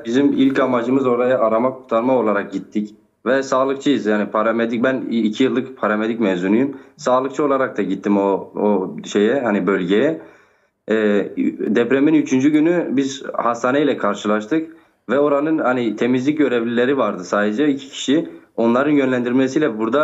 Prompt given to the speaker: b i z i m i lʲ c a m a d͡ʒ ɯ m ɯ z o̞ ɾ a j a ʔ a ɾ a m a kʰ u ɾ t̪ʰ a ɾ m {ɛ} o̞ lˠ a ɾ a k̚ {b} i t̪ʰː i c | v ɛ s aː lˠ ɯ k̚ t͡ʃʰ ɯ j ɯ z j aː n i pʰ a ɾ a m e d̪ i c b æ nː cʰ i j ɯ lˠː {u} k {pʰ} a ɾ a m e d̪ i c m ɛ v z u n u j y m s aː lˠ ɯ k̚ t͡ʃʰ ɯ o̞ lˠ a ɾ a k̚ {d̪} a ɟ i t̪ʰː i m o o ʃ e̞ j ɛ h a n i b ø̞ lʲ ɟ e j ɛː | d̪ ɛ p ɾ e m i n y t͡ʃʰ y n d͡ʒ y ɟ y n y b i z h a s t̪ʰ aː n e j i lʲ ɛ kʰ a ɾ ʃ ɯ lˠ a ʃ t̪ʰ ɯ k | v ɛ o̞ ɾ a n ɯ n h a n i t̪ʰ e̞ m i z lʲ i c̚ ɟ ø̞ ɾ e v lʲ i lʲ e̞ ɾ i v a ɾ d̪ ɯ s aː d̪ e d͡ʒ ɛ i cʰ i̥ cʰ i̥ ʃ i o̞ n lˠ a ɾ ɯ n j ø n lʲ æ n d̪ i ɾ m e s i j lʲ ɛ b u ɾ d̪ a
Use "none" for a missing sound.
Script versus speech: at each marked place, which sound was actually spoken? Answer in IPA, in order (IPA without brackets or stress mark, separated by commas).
a, ɟ, ɯ, pʰ, t̪